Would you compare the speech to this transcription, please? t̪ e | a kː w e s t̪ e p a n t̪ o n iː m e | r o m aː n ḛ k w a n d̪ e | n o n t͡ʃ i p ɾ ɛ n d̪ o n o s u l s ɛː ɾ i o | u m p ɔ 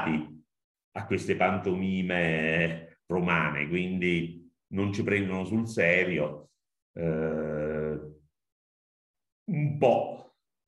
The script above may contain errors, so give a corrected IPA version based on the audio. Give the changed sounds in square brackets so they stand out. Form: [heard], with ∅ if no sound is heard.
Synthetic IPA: t̪ [i] | a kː w e s t̪ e p a n t̪ o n iː m e | r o m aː n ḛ k w [i] n d̪ [i] | n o n t͡ʃ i p ɾ ɛ n d̪ o n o s u l s ɛː ɾ [j] o | u m p ɔ